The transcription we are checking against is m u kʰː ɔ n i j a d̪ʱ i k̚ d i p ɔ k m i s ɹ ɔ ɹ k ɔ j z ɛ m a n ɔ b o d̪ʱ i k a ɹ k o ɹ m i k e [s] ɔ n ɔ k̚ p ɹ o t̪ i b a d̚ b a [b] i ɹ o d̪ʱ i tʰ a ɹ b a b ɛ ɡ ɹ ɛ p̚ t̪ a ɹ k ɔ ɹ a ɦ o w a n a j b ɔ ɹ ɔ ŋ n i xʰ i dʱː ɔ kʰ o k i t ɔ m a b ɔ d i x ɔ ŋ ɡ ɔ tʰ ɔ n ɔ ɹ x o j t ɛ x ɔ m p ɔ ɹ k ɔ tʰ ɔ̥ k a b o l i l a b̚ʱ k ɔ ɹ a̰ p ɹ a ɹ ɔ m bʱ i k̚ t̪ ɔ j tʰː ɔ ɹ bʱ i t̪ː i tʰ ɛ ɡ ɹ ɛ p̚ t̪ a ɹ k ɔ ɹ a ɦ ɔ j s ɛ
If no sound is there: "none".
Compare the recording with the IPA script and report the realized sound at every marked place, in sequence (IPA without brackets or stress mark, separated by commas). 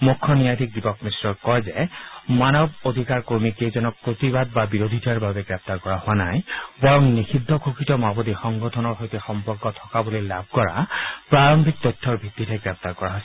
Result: z, b